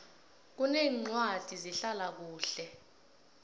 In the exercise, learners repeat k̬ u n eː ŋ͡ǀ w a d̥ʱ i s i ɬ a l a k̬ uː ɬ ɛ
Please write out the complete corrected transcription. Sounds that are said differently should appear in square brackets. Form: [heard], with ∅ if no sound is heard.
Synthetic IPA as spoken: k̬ u n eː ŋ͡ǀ w a d̥ʱ i [z] i ɬ a l a k̬ uː ɬ ɛ

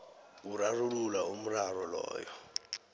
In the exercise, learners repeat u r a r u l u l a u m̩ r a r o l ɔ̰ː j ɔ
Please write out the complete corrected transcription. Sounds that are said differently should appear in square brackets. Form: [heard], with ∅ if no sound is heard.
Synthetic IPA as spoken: u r a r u l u l a u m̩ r a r [ɔ] l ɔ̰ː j ɔ

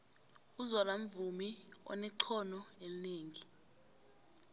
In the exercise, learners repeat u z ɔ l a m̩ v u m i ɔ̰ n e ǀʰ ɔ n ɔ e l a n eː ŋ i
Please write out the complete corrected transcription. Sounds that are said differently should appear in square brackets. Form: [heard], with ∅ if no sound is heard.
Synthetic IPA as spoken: u z ɔ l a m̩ v u m i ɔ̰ n [ɛ] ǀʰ ɔ n ɔ e l [i] n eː ŋ i

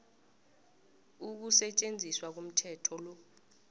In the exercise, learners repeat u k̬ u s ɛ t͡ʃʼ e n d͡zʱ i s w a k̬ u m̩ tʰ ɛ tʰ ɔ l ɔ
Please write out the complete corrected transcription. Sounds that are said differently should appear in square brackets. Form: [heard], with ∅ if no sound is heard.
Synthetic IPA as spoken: u k̬ u s ɛ t͡ʃʼ e n d͡zʱ i s w a k̬ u m̩ tʰ ɛ tʰ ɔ l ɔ

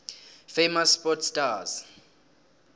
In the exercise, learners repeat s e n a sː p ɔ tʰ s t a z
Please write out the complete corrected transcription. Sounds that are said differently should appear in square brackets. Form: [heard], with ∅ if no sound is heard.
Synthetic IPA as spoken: [f] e [m] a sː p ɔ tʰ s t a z

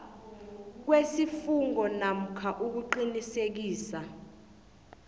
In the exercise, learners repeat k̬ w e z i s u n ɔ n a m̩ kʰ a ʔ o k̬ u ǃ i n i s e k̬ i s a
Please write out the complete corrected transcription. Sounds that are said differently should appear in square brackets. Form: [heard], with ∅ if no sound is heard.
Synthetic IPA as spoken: k̬ w e [s] i [f] u [ŋ] ɔ n a m̩ kʰ a ʔ [u] k̬ u ǃ i n i s e k̬ [iː] s a

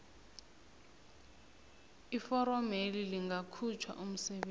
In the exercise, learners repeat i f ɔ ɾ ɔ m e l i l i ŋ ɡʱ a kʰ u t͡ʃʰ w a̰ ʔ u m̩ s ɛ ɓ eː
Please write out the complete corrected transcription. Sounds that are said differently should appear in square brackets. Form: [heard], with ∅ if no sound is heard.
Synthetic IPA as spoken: i f ɔ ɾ ɔ m e l i l i ŋ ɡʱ a kʰ u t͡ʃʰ w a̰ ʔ u m̩ s ɛ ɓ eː

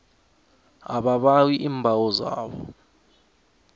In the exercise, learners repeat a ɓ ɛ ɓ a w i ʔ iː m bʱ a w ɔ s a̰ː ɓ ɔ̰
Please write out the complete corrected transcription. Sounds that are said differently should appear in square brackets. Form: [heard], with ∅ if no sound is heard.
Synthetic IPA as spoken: a ɓ [a] ɓ a w i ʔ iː m bʱ a w ɔ [z] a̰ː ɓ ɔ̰

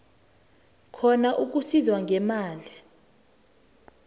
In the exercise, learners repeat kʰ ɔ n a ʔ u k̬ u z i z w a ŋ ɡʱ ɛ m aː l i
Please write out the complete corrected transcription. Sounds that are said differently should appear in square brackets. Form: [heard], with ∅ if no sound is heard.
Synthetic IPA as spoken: kʰ ɔ n a ʔ u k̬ u [s] i z w a ŋ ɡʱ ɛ m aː l i

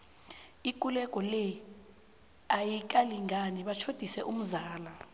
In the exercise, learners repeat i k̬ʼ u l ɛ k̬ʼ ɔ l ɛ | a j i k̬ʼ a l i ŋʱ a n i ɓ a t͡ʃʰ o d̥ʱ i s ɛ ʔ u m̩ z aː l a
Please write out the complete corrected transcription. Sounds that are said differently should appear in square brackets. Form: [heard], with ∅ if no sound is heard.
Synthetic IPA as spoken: i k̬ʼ u l ɛ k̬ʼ ɔ l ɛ | a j i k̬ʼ a l i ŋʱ a n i ɓ a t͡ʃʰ o d̥ʱ i s ɛ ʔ u m̩ z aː l a

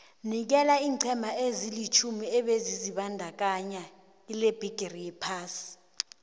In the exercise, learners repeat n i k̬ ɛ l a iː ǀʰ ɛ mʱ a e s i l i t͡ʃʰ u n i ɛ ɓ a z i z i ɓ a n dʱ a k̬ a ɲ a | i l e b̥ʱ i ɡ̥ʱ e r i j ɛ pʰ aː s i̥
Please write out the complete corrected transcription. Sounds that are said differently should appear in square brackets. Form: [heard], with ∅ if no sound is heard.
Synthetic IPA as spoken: n i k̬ ɛ l a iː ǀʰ ɛ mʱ a e [z] i l i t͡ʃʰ u [m] i ɛ ɓ [e] z i z i ɓ a n dʱ a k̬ a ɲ a | i l e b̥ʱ i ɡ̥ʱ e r i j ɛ pʰ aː s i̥

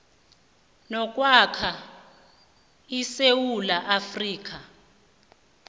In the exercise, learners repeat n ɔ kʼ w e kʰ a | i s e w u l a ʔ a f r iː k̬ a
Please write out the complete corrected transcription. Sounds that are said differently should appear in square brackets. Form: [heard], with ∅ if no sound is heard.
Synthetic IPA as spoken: n ɔ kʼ w [a] kʰ a | i s e w u l a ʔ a f r iː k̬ a

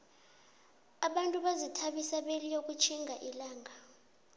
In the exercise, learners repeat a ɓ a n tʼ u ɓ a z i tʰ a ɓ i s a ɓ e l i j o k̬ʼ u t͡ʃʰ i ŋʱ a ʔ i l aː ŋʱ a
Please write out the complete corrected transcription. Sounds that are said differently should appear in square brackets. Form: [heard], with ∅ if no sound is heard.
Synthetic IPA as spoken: a ɓ a n tʼ u ɓ a z i tʰ a ɓ i s a ɓ e l i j o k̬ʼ u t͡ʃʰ i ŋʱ a ʔ i l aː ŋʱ a

